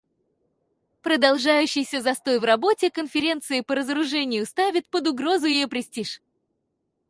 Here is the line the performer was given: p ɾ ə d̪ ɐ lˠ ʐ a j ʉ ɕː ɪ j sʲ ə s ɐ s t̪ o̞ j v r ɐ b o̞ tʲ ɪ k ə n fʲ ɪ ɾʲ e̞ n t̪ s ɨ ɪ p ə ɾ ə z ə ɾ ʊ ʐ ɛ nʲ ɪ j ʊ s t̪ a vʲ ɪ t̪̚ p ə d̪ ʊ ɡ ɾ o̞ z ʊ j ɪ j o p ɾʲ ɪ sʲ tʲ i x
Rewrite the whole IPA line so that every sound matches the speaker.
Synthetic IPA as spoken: p ɾ ə d̪ ɐ lˠ ʐ a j ʉ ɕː ɪ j sʲ ə z ɐ s t̪ o̞ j v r ɐ b o̞ tʲ ɪ k ə n fʲ ɪ ɾʲ e̞ n t̪ s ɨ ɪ p ə ɾ ə z ə ɾ ʊ ʐ ɛ nʲ ɪ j ʊ s t̪ a vʲ ɪ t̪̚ p ə d̪ ʊ ɡ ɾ o̞ z ʊ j ɪ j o p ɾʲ ɪ sʲ tʲ i ʂ